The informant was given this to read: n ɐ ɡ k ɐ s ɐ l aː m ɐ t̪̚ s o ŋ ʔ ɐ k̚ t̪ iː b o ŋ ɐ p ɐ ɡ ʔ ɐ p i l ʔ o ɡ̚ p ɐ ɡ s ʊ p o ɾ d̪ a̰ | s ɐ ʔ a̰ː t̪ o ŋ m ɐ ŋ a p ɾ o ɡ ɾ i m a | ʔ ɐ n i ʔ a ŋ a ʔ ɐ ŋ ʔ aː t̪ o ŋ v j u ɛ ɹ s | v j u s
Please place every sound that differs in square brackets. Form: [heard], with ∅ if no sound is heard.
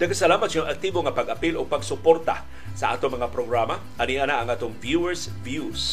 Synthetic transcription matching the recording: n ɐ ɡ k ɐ s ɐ l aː m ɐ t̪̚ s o ŋ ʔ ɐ k̚ t̪ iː b o ŋ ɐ p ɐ ɡ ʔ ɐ p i l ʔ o ɡ̚ p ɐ ɡ s ʊ p o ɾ [t̪] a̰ | s ɐ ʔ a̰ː t̪ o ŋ m ɐ ŋ a p ɾ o ɡ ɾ [a] m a | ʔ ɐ n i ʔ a [n] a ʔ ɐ ŋ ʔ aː t̪ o ŋ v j u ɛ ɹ s | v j u s